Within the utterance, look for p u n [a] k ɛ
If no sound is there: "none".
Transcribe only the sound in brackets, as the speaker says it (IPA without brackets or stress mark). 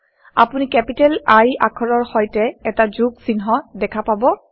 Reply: i